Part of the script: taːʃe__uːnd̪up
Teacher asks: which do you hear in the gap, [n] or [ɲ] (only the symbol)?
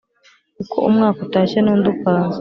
n